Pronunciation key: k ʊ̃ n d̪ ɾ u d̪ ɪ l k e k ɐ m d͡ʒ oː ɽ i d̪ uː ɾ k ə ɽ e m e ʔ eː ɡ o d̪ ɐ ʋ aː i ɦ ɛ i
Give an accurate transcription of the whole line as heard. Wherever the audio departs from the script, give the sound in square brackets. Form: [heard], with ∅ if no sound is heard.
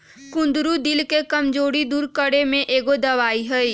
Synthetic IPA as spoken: k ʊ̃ n d̪ ɾ u d̪ ɪ l k e k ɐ m d͡ʒ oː ɽ i d̪ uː ɾ k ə ɽ e m [ẽ] ʔ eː ɡ o d̪ ɐ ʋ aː i ɦ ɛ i